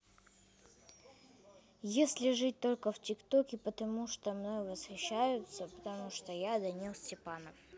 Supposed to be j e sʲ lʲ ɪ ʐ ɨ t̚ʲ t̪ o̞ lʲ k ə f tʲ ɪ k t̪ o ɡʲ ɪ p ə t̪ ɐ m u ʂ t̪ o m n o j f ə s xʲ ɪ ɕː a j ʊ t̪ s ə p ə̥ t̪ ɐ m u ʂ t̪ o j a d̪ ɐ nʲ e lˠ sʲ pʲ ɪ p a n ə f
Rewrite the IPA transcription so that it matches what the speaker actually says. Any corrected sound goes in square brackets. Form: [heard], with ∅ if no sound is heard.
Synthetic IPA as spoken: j e sʲ lʲ ɪ ʐ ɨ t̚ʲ t̪ o̞ lʲ k ə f tʲ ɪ k t̪ o [kʲ] ɪ p ə t̪ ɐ m u ʂ t̪ o m n o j [v] ə s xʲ ɪ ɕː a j ʊ t̪ s ə p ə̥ t̪ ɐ m u ʂ t̪ o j a d̪ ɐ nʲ [i] lˠ sʲ [tʲ] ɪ p a n ə f